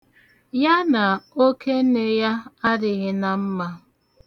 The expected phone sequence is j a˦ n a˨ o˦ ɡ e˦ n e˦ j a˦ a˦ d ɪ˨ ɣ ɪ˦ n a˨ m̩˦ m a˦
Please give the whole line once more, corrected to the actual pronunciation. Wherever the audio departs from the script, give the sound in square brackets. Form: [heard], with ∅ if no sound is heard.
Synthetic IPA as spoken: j a˦ n a˨ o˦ [k] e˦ n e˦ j a˦ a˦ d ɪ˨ ɣ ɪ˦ n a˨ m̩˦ m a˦